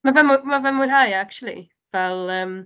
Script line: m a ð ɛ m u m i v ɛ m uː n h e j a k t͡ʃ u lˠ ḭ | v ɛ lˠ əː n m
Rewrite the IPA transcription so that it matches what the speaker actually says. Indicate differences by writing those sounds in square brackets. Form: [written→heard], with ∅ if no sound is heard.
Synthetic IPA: m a [ð→v] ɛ m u m [i→a] v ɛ m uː n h [e→a] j a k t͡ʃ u lˠ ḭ | v ɛ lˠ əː [n→∅] m